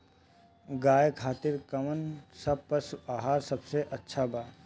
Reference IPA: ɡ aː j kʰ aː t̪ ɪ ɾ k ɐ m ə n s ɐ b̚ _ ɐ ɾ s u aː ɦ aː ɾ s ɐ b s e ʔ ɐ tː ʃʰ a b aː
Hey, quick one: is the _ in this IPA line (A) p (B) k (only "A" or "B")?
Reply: A